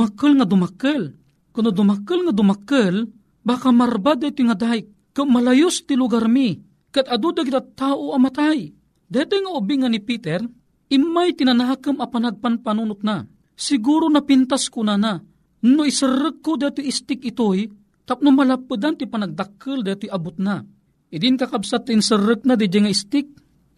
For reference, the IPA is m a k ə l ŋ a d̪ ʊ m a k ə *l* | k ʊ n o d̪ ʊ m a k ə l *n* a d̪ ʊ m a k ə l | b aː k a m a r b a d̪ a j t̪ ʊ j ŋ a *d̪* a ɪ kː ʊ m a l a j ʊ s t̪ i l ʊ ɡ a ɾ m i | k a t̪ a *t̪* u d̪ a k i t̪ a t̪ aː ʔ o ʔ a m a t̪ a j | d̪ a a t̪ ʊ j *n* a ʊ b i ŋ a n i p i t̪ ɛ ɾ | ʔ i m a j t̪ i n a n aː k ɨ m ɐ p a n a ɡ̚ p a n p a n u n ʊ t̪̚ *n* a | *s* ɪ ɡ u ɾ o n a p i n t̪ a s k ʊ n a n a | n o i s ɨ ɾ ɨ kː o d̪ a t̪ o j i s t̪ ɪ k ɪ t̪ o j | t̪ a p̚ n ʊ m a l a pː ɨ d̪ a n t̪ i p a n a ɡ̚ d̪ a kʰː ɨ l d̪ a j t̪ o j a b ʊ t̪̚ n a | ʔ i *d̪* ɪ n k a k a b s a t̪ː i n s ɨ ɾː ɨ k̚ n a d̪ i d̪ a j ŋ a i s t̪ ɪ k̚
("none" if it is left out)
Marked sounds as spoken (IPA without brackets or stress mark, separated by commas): l, ŋ, d̪, d̪, ŋ, n, s, d̪